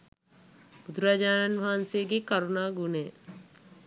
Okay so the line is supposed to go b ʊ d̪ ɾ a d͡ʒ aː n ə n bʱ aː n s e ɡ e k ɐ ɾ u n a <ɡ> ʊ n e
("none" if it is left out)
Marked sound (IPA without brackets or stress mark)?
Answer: ɡ